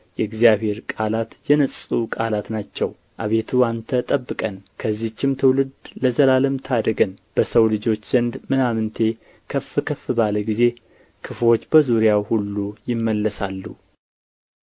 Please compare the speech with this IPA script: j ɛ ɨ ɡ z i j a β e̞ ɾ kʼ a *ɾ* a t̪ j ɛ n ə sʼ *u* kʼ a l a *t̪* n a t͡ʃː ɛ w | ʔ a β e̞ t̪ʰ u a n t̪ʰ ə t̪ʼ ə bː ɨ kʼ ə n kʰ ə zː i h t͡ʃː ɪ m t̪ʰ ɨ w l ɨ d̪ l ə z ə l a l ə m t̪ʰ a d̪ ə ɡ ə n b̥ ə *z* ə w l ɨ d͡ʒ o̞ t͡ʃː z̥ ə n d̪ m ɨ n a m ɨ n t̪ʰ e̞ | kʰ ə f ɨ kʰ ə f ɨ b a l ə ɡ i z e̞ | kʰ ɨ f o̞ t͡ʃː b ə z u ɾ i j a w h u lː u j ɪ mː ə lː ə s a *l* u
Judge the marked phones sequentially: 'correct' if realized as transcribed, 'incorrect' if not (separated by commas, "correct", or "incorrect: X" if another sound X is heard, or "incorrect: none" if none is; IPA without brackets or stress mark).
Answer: incorrect: l, correct, correct, incorrect: s, incorrect: lː